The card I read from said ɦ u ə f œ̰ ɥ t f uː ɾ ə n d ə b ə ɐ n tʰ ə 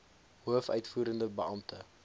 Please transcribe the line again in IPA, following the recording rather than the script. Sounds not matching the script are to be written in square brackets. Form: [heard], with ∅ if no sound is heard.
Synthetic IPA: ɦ u ə f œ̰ ɥ t f uː ɾ ə n d ə b ə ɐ [m] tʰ ə